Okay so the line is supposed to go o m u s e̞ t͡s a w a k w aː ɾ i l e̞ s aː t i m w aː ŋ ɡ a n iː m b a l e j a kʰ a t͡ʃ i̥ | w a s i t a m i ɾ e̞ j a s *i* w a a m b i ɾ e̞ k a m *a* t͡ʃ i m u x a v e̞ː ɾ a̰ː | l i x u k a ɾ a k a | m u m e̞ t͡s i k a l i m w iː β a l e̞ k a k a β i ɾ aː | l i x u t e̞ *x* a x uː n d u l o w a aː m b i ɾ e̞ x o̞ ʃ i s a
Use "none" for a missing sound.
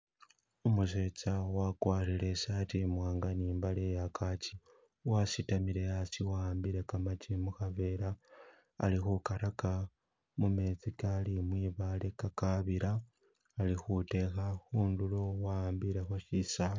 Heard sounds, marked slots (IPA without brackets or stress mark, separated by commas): i, a, x